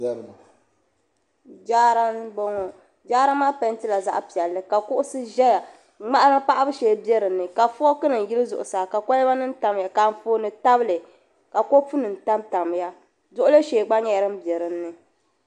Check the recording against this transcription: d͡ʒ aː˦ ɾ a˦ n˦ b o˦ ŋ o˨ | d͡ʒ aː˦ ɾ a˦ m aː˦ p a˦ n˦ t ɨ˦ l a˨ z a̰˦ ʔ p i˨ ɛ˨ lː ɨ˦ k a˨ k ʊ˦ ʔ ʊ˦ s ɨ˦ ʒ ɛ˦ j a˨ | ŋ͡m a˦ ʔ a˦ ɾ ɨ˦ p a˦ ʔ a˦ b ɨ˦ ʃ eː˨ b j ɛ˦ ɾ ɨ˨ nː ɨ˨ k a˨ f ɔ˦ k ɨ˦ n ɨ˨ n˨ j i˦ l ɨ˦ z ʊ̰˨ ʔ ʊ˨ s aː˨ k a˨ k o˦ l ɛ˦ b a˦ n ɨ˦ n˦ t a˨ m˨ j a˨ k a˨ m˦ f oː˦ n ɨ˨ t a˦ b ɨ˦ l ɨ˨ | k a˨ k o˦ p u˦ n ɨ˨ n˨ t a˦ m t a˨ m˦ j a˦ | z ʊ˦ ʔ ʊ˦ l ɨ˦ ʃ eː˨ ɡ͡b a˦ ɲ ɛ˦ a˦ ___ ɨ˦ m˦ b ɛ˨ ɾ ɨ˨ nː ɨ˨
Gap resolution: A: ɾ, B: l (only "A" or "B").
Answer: A